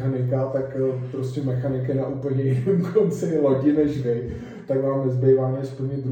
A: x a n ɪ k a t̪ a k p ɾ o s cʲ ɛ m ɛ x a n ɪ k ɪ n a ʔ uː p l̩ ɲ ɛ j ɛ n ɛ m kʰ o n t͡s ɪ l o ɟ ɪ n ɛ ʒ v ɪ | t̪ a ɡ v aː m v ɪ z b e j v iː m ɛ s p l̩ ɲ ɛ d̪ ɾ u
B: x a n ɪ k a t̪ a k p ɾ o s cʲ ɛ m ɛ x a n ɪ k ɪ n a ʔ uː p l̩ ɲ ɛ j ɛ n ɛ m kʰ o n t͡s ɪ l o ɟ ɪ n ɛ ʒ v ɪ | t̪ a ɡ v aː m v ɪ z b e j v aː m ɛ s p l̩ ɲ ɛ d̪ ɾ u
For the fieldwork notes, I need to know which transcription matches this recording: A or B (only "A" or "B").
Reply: B